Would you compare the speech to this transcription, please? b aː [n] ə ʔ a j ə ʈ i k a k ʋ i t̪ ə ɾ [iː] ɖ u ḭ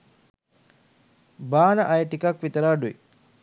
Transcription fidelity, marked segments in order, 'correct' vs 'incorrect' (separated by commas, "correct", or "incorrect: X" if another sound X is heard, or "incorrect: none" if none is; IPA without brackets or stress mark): correct, incorrect: aː